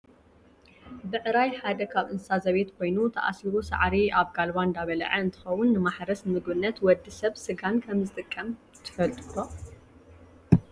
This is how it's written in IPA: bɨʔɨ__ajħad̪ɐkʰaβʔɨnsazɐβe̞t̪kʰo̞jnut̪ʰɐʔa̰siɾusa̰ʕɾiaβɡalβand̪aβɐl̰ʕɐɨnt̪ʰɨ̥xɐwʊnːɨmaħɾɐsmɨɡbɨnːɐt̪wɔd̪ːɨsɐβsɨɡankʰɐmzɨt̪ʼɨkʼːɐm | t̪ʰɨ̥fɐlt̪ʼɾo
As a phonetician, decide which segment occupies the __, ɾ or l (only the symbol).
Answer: ɾ